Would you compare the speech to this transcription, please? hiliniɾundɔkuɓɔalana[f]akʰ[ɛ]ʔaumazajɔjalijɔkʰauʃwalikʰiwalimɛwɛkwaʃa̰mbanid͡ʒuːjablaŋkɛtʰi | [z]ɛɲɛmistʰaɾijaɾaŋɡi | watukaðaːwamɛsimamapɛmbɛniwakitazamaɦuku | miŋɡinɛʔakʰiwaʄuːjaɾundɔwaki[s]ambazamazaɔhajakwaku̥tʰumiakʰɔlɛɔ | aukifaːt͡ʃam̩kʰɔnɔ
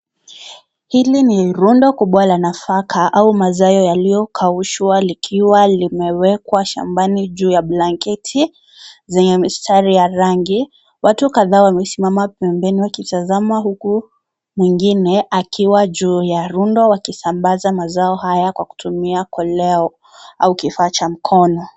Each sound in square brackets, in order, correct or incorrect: correct, incorrect: a, correct, correct

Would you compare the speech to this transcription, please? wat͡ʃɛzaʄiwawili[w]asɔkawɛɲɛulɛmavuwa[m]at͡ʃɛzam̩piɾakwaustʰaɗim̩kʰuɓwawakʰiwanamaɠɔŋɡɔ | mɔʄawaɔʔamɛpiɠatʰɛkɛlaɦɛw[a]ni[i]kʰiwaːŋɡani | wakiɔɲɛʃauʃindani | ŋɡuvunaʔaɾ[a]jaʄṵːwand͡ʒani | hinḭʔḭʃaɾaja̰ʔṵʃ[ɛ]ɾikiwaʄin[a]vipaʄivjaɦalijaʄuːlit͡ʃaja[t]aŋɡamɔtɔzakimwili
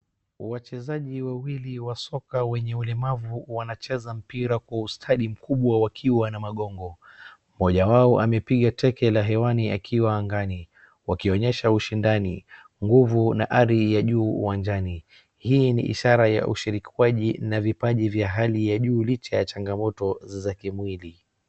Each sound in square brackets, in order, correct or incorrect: correct, incorrect: n, correct, incorrect: a, incorrect: i, incorrect: i, correct, incorrect: t͡ʃ

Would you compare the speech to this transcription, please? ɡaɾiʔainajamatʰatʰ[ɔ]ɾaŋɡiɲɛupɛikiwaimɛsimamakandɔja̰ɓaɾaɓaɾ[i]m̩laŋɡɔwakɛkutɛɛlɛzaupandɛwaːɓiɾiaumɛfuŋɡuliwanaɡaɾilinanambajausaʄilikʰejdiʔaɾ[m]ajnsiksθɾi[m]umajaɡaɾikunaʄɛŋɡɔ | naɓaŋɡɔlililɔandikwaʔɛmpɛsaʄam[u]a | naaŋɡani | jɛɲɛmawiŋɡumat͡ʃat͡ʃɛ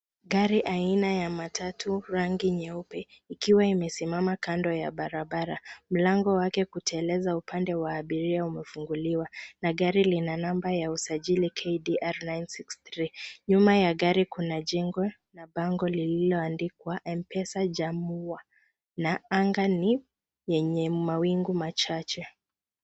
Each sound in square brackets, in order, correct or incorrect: incorrect: u, incorrect: a, incorrect: n, incorrect: ɲ, correct

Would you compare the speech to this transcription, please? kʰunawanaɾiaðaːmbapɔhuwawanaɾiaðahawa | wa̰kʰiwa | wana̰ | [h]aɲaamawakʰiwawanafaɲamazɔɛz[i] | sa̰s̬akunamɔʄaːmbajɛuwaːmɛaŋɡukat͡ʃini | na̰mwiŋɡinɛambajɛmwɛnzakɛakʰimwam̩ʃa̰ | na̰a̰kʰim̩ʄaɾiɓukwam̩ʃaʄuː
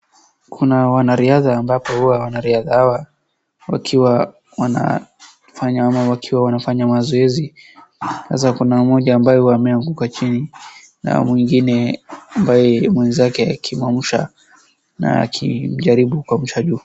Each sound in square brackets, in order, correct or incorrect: incorrect: f, correct

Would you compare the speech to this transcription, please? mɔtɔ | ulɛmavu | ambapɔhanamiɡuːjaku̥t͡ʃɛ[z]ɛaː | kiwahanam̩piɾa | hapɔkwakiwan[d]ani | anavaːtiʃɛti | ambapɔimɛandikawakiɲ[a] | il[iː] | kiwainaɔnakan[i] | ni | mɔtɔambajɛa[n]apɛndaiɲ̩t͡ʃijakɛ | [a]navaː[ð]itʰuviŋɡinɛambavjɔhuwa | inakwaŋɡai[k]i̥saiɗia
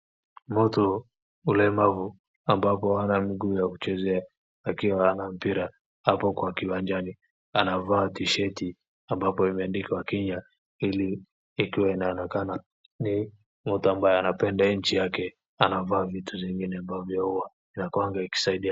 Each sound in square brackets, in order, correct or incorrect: correct, incorrect: d͡ʒ, correct, correct, incorrect: a, correct, correct, incorrect: v, correct

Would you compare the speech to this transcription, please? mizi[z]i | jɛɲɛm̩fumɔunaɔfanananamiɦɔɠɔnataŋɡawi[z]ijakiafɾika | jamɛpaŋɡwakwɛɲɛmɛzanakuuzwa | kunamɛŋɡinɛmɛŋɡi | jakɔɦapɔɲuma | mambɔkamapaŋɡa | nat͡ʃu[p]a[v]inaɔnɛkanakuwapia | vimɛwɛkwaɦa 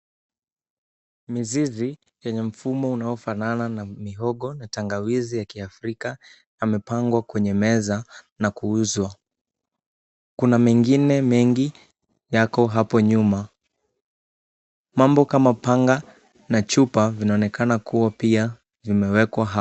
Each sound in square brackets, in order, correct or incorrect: correct, correct, correct, correct

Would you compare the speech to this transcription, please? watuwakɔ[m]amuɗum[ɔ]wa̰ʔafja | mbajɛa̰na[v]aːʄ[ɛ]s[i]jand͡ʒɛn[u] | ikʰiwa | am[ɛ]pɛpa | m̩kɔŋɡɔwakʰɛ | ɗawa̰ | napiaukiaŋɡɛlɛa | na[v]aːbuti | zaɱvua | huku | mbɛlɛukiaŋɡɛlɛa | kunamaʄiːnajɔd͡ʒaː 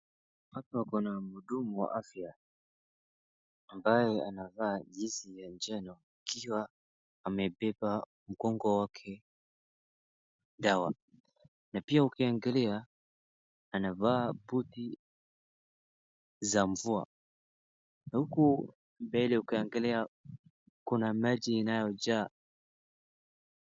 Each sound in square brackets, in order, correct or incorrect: incorrect: n, incorrect: u, correct, incorrect: i, correct, incorrect: ɔ, correct, correct

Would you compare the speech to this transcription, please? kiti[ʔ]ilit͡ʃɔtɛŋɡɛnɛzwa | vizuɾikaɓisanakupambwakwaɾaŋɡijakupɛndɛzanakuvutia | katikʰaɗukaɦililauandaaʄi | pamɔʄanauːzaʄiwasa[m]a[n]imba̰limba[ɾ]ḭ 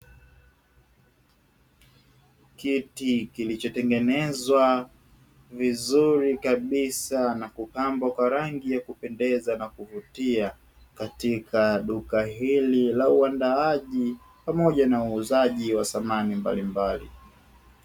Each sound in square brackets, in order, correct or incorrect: incorrect: k, correct, correct, incorrect: l

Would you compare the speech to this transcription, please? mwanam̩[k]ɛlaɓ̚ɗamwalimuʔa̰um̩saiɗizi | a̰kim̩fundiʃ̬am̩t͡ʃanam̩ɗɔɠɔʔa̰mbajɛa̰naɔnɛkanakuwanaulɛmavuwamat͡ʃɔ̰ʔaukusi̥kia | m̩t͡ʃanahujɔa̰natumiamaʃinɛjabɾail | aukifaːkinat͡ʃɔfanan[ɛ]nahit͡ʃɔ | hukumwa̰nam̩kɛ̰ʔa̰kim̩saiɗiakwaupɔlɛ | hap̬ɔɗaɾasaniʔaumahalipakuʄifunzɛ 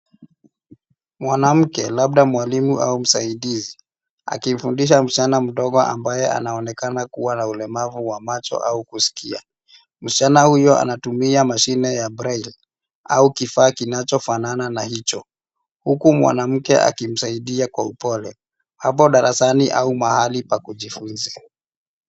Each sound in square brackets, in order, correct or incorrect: correct, incorrect: a

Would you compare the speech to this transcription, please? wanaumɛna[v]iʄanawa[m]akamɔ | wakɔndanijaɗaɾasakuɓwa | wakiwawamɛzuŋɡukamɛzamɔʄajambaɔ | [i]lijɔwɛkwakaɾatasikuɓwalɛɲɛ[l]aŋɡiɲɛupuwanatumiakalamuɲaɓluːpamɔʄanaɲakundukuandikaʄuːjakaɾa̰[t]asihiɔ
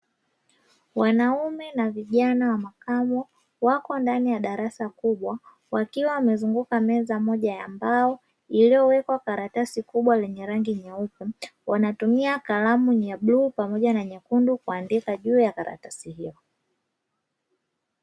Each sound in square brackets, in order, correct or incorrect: correct, correct, correct, incorrect: ɾ, correct

